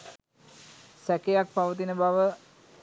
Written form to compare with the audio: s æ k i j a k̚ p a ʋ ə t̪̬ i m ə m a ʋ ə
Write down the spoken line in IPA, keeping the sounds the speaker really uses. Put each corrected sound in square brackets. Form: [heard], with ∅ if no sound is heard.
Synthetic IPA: s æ k [e] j a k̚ p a ʋ ə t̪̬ i [n] ə [b] a ʋ ə